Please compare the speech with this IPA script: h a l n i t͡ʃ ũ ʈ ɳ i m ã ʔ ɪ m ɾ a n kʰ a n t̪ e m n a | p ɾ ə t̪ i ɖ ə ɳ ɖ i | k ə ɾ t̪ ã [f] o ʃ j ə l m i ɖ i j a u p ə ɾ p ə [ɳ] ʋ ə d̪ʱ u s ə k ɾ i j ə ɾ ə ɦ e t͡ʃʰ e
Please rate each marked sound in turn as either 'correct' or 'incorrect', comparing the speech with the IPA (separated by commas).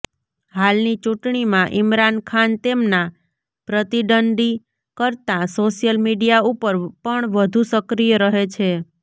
incorrect, correct